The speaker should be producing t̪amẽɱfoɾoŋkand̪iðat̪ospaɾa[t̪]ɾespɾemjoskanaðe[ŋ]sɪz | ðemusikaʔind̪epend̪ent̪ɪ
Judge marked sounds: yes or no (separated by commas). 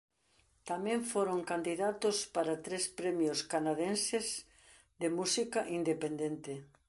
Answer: yes, no